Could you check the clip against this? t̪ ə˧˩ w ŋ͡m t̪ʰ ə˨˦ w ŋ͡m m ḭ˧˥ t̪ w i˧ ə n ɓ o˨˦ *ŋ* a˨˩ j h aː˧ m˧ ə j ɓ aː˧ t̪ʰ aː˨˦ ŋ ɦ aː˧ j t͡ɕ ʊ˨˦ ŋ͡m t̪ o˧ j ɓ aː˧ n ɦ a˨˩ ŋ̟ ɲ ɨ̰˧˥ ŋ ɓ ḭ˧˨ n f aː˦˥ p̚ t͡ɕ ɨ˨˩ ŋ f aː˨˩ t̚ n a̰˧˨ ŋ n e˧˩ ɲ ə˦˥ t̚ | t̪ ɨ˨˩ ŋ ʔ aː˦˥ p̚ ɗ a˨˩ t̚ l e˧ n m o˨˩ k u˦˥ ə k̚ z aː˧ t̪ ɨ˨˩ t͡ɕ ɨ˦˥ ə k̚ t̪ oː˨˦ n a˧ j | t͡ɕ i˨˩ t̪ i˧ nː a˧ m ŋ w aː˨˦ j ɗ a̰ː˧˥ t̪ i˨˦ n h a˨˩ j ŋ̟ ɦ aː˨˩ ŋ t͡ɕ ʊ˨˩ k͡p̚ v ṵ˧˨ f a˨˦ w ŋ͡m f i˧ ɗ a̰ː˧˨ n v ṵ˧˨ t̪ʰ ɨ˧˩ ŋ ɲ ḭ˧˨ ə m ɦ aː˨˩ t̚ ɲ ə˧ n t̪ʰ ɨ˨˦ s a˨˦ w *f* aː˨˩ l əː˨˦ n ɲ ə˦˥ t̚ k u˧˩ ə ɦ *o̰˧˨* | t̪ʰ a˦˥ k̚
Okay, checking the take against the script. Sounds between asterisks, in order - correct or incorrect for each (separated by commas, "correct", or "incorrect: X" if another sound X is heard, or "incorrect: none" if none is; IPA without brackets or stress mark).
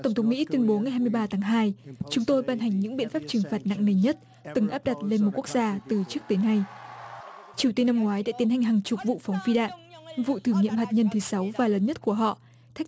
correct, incorrect: v, incorrect: ɔ̰˧˨